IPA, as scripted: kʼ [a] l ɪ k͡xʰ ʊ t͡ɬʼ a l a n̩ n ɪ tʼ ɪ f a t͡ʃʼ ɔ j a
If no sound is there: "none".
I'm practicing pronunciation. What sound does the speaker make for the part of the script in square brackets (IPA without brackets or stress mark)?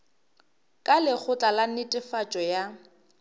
a